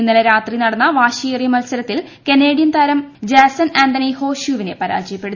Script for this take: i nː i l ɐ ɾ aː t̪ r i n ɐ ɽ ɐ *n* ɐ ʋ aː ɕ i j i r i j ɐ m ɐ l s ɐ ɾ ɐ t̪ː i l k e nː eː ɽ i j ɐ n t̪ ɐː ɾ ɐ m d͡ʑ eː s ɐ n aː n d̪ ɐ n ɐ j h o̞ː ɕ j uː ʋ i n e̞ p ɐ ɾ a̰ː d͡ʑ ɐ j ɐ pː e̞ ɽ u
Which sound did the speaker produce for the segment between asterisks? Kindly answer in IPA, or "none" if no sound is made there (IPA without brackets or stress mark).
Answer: nː